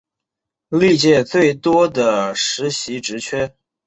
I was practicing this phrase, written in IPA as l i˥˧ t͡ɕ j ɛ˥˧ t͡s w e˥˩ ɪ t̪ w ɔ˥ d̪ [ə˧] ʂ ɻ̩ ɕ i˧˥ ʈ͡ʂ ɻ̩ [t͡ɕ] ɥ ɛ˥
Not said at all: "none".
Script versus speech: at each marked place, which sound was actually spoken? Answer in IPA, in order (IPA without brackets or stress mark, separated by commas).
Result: ə˩, t͡ɕʰ